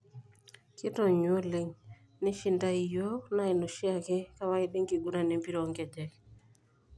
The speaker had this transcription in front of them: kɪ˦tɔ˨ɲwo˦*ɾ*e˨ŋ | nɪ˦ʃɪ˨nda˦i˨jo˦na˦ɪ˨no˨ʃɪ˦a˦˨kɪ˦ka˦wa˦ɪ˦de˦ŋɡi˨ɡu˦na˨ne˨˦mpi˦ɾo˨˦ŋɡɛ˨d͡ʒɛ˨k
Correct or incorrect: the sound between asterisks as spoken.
incorrect: l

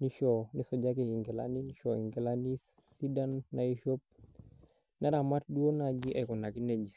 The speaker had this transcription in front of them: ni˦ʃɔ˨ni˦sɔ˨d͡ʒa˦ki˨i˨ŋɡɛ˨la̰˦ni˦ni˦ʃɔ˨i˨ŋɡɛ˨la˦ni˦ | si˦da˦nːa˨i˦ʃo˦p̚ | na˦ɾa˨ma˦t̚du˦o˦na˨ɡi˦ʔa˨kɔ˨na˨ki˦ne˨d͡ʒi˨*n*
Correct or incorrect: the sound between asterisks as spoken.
incorrect: none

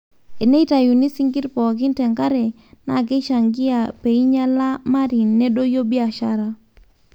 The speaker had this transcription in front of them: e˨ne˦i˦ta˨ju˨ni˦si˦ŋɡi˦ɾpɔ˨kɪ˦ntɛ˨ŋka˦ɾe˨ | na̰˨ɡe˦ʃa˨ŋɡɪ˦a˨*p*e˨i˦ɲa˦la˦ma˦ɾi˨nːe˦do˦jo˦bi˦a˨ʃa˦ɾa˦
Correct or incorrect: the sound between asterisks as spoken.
correct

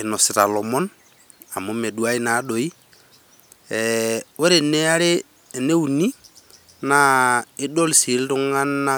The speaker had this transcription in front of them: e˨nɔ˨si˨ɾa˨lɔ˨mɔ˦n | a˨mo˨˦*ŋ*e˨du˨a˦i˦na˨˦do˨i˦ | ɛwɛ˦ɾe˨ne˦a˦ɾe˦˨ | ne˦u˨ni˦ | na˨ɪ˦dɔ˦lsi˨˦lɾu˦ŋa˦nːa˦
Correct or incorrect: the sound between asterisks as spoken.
incorrect: m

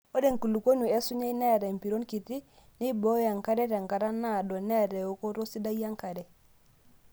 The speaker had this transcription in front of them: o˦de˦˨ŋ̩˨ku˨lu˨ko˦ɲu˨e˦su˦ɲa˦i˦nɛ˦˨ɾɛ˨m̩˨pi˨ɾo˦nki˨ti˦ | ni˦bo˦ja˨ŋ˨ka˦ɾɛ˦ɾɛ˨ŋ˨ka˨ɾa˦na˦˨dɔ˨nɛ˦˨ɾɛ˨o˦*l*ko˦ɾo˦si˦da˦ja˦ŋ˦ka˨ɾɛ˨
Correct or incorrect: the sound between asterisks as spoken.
incorrect: none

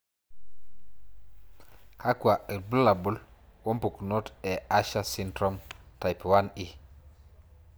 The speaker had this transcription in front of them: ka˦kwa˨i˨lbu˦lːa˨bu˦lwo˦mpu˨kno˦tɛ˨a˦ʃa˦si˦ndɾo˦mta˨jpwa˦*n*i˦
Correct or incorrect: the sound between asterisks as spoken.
correct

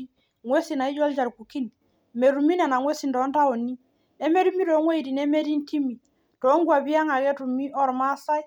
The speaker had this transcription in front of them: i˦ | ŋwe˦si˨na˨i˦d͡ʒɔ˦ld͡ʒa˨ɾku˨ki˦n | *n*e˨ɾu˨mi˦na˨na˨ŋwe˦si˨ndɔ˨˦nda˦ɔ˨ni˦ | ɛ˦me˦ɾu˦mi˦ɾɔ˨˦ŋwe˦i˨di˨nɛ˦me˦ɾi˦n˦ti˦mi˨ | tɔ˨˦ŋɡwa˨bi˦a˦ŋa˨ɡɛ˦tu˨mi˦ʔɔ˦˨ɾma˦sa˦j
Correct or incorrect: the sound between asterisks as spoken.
incorrect: m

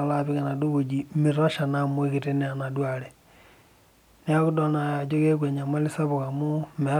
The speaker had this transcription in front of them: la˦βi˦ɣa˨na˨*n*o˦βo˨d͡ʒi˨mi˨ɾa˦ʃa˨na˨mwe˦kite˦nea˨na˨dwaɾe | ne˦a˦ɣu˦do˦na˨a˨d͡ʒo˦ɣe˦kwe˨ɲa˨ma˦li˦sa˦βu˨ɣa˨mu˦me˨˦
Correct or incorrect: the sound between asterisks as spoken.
incorrect: d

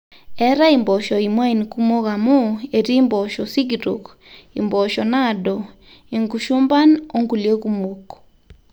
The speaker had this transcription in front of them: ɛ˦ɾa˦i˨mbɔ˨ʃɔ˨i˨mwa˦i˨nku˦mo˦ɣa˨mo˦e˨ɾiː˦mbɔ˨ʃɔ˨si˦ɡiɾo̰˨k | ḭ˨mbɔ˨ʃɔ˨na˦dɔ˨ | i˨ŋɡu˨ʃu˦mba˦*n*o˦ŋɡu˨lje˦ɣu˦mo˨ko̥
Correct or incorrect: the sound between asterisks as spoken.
correct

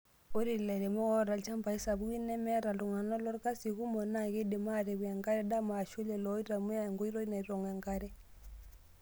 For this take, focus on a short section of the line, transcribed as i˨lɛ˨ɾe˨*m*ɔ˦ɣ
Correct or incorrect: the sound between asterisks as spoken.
correct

